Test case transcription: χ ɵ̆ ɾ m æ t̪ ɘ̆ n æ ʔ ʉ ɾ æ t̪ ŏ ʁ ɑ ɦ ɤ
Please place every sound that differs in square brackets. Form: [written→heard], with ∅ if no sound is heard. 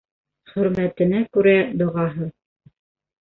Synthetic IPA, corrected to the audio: χ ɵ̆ ɾ m æ t̪ ɘ̆ n æ [ʔ→k] ʉ ɾ æ [t̪→d̪] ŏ ʁ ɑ ɦ ɤ